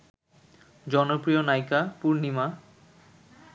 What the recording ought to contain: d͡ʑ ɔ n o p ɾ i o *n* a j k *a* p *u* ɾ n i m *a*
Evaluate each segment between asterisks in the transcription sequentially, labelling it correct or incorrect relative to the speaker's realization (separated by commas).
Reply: correct, correct, correct, correct